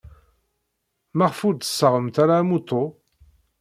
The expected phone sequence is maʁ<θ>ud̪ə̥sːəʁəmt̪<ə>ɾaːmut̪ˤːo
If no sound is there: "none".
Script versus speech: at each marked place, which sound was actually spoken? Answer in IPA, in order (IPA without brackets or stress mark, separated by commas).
f, a